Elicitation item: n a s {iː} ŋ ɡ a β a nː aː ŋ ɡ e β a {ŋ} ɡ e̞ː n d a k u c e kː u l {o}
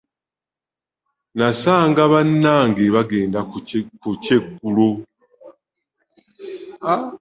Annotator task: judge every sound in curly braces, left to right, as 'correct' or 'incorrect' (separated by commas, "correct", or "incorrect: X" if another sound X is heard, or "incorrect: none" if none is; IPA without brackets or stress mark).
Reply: incorrect: aː, incorrect: none, correct